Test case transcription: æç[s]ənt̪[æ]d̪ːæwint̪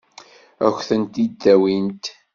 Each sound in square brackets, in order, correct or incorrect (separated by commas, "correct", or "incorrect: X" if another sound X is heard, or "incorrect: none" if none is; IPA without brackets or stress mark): incorrect: θ, incorrect: i